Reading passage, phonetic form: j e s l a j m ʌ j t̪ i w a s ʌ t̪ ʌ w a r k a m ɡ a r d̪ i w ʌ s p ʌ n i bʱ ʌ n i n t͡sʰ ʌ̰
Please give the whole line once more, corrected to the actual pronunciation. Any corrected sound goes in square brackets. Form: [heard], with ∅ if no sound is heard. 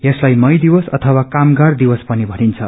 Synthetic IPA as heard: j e s l a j m ʌ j [d̪] i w [ʌ] s ʌ [t̪ʰ] ʌ w a [∅] k a m ɡ a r d̪ i w ʌ s p ʌ n i bʱ ʌ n i n t͡sʰ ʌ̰